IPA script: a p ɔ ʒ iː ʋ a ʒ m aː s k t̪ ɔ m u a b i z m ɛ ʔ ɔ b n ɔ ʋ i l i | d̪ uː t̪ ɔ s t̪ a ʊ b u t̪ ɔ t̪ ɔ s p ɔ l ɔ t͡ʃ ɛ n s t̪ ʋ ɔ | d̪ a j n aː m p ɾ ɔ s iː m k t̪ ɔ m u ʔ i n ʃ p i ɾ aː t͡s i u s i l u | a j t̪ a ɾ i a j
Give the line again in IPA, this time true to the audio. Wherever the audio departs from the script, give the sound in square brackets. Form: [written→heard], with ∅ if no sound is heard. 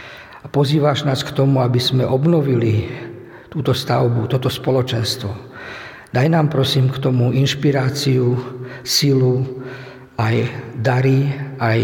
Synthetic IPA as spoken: a p ɔ [ʒ→z] iː ʋ a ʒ [m→n] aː s k t̪ ɔ m u a b i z m ɛ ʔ ɔ b n ɔ ʋ i l i | [d̪→t̪] uː t̪ ɔ s t̪ a ʊ b u t̪ ɔ t̪ ɔ s p ɔ l ɔ t͡ʃ ɛ n s t̪ ʋ ɔ | d̪ a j n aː m p ɾ ɔ s iː m k t̪ ɔ m u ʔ i n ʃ p i ɾ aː t͡s i u s i l u | a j [t̪→d̪] a ɾ i a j